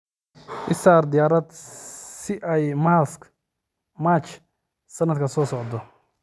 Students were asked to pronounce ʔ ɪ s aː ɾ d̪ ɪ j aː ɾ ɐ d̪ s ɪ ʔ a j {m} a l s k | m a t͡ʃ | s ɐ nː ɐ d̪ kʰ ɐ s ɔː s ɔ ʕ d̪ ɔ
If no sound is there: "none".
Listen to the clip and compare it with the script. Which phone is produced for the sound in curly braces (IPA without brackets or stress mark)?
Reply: m